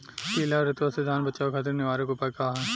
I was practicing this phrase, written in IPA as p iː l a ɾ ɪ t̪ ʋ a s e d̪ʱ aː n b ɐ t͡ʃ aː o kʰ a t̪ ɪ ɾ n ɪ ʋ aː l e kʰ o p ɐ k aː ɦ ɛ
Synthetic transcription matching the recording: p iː l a ɾ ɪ t̪ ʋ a s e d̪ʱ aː n b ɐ t͡ʃ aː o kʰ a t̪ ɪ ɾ n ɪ ʋ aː ɾ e k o p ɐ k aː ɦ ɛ